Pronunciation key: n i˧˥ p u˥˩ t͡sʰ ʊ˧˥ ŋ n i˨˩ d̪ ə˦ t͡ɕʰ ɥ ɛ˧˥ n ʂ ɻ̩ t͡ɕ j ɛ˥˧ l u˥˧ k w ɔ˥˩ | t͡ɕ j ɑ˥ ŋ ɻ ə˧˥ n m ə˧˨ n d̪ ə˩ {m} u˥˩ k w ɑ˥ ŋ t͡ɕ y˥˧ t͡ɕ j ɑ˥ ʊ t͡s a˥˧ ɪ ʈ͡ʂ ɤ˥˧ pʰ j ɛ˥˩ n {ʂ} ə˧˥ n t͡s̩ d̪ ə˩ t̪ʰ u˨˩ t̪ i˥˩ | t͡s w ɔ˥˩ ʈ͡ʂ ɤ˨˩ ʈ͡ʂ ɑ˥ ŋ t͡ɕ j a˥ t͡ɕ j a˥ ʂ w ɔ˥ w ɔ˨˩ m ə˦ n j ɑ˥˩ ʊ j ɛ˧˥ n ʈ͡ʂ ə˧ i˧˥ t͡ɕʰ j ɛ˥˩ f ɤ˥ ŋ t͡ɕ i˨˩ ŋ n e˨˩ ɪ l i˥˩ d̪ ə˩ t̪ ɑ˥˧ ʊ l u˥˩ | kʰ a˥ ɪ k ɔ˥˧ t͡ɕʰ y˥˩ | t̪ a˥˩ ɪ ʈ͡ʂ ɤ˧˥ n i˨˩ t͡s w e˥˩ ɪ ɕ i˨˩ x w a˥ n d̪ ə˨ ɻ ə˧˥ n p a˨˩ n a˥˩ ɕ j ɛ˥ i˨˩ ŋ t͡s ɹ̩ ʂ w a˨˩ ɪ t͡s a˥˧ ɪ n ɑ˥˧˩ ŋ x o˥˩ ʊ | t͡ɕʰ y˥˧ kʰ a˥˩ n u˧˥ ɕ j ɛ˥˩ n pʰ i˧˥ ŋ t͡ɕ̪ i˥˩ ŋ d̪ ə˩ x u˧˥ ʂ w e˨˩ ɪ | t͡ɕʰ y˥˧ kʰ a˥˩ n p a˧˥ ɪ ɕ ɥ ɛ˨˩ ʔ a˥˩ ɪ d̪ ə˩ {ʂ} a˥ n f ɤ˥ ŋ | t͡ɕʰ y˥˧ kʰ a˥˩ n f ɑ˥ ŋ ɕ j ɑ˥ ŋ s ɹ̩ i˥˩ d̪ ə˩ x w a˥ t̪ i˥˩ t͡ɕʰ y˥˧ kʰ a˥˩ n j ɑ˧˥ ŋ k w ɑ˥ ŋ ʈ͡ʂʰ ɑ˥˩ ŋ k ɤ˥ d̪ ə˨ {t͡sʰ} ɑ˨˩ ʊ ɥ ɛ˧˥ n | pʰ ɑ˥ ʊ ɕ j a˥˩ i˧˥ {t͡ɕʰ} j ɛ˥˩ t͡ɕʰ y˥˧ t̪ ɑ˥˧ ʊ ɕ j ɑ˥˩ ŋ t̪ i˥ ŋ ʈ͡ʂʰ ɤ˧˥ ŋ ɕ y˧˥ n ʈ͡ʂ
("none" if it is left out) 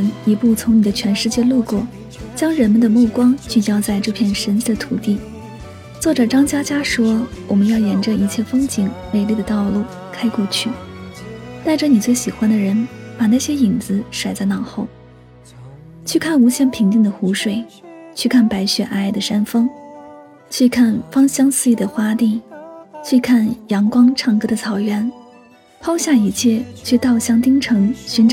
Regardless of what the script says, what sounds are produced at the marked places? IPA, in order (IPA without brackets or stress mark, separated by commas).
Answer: m, ʂ, ʂ, t͡sʰ, t͡ɕʰ